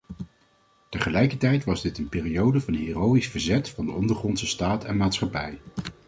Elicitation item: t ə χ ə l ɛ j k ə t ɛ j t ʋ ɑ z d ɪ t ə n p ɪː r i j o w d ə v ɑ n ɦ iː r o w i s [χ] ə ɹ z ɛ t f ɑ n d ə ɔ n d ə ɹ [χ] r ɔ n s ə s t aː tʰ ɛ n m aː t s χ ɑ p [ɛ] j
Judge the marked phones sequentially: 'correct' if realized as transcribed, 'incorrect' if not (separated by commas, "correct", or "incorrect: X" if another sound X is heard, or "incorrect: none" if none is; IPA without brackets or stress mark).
incorrect: f, correct, correct